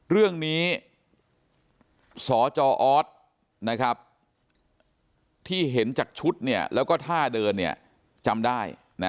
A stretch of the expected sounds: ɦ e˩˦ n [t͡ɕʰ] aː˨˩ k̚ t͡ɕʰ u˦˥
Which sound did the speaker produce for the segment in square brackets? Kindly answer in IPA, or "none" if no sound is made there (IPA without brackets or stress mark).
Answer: t͡ɕ